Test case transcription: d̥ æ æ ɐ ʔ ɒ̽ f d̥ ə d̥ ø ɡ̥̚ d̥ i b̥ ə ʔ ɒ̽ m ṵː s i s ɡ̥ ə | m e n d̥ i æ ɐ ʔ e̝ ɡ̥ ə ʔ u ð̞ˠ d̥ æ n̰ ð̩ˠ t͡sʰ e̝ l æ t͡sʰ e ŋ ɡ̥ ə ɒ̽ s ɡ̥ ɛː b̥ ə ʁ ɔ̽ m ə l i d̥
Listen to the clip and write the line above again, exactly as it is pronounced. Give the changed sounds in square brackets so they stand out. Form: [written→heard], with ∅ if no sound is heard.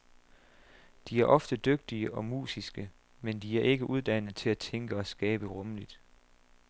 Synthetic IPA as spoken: d̥ [æ→i] æ ɐ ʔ ɒ̽ f d̥ ə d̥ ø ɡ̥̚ d̥ i [b̥→∅] ə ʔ ɒ̽ m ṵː s i s ɡ̥ ə | m e n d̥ i æ ɐ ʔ e̝ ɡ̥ ə ʔ u ð̞ˠ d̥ æ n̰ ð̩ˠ t͡sʰ e̝ l æ t͡sʰ e ŋ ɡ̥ ə ɒ̽ s ɡ̥ ɛː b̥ ə ʁ ɔ̽ m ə l i d̥